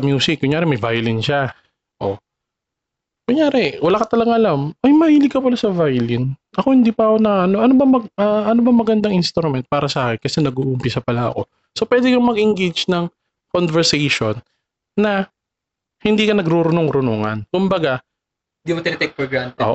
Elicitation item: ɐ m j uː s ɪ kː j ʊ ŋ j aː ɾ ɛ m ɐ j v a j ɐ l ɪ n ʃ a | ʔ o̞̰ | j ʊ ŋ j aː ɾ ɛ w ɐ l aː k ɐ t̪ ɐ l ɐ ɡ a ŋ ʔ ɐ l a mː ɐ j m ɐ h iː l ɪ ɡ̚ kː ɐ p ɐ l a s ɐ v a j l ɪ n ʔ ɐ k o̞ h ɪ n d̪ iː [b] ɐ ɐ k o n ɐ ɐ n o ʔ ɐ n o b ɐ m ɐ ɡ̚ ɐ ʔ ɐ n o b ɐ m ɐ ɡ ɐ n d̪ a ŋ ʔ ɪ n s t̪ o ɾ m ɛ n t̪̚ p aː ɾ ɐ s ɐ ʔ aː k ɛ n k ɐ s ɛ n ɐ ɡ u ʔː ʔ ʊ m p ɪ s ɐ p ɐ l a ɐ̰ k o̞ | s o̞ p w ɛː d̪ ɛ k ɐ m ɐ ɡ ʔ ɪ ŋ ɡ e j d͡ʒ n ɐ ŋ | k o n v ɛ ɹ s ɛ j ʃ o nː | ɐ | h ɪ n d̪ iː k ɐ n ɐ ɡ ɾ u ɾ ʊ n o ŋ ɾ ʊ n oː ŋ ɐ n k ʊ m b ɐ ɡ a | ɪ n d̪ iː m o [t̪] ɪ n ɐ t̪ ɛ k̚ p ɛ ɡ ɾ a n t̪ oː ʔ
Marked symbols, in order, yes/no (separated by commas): no, yes